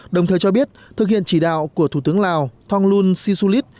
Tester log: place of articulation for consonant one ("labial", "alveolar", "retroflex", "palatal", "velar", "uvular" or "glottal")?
alveolar